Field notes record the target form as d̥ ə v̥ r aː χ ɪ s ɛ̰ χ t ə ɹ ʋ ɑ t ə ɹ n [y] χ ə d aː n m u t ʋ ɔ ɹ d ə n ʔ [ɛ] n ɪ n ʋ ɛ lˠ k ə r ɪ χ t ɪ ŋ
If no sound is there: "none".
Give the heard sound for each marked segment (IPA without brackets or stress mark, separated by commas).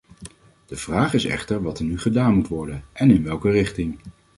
y, ɛ